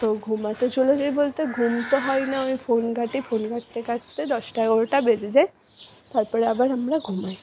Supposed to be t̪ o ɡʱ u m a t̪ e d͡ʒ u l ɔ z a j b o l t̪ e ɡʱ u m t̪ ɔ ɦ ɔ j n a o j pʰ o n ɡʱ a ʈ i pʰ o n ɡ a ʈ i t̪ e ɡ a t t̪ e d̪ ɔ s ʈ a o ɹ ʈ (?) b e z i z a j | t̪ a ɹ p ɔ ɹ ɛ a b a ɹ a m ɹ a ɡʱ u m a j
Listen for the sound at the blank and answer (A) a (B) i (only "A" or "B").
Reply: A